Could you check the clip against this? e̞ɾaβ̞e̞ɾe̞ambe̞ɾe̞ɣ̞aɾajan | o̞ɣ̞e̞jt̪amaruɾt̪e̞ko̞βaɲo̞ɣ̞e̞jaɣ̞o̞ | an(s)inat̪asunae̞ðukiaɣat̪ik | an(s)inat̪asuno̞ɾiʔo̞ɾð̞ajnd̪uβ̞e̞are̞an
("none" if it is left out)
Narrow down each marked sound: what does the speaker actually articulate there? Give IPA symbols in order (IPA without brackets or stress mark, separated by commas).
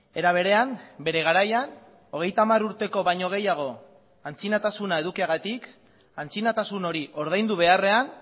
t͡s, t͡s